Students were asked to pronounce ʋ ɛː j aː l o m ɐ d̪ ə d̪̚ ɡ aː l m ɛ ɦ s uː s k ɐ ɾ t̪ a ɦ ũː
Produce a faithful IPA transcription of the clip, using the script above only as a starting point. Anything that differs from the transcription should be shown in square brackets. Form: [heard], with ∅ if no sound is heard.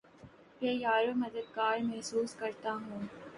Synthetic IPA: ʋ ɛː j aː [ɾ] o m ɐ d̪ ə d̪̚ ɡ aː [ɾ] m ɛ ɦ s uː s k ɐ ɾ t̪ a ɦ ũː